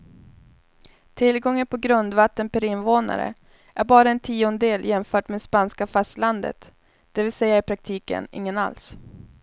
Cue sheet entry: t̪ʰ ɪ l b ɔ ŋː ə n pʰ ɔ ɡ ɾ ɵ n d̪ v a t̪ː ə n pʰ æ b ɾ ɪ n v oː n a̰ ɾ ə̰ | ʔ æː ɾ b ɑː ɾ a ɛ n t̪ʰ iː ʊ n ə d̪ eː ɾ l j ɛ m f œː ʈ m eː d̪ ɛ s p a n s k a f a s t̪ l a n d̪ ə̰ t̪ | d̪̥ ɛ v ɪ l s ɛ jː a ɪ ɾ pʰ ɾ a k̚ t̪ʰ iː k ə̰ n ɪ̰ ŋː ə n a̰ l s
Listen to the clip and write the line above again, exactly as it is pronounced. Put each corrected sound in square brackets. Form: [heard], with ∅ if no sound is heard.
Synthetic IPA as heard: t̪ʰ ɪ l [ɡ] ɔ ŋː ə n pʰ ɔ ɡ ɾ ɵ n d̪ v a t̪ː ə n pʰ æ [∅] ɾ ɪ n v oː n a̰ ɾ ə̰ | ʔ [æ] ɾ b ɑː ɾ a ɛ n t̪ʰ iː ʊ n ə d̪ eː [∅] l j ɛ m f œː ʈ m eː d̪ ɛ s p a n s k a f a s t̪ l a n d̪ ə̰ t̪ | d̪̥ ɛ v ɪ l s ɛ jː a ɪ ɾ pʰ ɾ a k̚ t̪ʰ iː k ə̰ n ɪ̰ ŋː ə n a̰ l s